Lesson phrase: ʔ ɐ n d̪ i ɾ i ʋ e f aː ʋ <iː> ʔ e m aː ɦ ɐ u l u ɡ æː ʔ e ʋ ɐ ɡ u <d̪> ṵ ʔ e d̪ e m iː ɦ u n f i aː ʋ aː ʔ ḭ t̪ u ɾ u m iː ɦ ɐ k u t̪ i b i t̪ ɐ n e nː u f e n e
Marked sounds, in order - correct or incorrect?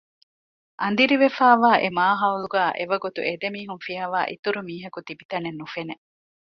incorrect: aː, incorrect: t̪

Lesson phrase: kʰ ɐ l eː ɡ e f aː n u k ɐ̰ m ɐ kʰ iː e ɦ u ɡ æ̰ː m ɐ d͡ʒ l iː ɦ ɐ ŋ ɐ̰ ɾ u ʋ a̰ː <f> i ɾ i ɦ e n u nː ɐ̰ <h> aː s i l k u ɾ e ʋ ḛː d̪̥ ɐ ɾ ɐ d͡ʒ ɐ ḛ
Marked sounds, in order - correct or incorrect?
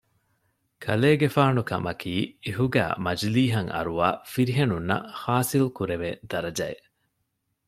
correct, correct

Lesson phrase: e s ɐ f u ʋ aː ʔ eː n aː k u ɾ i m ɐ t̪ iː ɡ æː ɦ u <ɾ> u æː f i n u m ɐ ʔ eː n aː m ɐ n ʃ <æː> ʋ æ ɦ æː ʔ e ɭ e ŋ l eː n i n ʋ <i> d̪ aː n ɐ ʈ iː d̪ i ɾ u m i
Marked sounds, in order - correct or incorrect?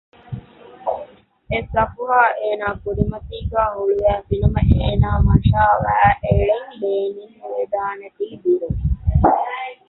incorrect: ɭ, incorrect: aː, incorrect: e

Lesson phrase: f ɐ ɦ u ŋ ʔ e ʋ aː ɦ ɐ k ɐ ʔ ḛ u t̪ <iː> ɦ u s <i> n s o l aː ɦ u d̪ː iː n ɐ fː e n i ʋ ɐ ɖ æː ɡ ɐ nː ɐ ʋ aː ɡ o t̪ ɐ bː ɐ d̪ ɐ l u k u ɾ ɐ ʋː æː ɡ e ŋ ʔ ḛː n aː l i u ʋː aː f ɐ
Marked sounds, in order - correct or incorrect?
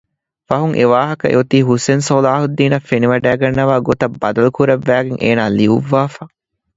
correct, incorrect: e

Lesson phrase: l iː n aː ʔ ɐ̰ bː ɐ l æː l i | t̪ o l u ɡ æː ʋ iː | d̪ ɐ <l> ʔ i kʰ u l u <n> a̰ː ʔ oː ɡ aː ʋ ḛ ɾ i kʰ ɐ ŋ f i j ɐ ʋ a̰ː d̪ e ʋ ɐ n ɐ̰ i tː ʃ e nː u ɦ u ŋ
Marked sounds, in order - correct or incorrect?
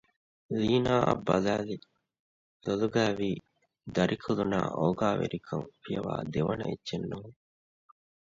incorrect: ɾ, correct

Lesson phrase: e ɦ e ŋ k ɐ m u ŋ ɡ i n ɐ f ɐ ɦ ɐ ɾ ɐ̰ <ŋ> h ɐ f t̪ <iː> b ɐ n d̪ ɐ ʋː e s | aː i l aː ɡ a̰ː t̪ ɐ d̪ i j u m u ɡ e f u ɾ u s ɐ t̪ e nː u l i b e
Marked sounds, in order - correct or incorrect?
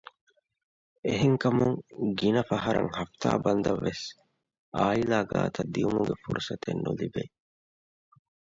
correct, incorrect: aː

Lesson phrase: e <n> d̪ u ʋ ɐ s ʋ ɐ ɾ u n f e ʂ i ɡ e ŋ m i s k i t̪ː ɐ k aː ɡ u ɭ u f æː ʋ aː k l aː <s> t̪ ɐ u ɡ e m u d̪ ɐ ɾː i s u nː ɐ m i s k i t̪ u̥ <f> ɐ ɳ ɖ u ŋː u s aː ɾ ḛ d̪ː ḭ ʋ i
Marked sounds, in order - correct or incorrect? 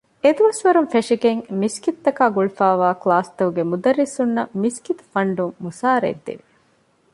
incorrect: none, correct, correct

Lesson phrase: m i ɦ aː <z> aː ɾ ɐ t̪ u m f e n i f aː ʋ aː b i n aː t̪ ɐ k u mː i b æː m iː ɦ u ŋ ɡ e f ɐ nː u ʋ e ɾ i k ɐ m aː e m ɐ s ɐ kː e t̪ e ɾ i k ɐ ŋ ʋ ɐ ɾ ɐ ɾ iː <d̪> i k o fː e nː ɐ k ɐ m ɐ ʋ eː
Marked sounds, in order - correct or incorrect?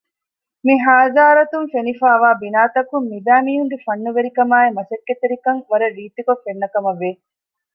correct, incorrect: t̪

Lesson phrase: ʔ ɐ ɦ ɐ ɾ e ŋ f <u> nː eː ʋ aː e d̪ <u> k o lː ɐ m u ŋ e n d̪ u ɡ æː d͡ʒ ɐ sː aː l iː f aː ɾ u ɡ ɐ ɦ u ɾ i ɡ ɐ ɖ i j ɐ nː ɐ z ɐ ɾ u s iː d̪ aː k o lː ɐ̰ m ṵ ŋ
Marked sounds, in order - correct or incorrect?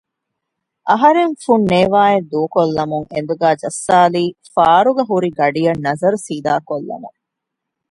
correct, incorrect: uː

